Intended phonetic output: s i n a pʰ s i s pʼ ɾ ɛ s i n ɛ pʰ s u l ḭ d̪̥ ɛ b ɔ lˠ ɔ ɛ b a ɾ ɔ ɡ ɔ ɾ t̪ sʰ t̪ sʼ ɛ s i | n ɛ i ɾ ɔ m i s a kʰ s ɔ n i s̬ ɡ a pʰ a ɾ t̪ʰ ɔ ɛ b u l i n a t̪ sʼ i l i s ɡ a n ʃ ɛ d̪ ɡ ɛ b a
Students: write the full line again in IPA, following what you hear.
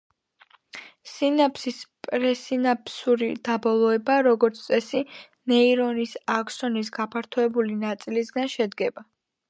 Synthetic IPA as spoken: s i n a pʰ s i s pʼ ɾ ɛ s i n a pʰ s u ɾ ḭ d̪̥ a b ɔ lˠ ɔ ɛ b a ɾ ɔ ɡ ɔ ɾ t̪ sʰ t̪ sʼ ɛ s i | n ɛ i ɾ ɔ n i s a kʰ s ɔ n i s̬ ɡ a pʰ a ɾ t̪ʰ ɔ ɛ b u l i n a t̪ sʼ i l i s ɡ a n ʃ ɛ d̪ ɡ ɛ b a